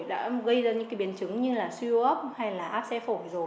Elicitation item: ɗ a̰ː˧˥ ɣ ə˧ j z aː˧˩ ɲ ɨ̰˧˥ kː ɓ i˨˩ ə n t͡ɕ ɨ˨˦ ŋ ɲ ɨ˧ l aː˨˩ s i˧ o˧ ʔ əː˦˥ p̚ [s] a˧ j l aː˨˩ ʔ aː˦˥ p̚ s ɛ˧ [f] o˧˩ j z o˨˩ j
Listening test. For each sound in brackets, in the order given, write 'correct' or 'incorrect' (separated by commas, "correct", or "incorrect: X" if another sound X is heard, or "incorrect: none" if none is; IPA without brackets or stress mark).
incorrect: h, correct